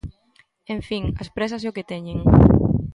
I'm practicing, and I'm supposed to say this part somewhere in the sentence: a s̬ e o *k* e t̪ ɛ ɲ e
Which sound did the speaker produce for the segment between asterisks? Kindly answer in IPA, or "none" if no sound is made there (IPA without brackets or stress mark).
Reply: k